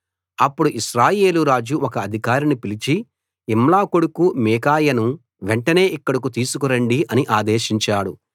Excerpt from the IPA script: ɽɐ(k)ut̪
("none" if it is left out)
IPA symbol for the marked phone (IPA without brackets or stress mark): k